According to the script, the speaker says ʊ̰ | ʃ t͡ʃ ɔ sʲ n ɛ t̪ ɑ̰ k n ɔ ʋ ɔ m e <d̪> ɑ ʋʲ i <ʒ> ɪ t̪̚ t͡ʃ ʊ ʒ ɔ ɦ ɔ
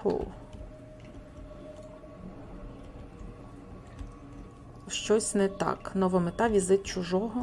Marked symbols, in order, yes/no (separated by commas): no, no